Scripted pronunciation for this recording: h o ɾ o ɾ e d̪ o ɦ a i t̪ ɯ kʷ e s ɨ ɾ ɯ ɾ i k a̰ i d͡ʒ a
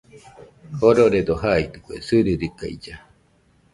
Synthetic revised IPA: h o ɾ o ɾ e d̪ o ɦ a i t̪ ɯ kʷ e s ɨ ɾ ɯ ɾ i k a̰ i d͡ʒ a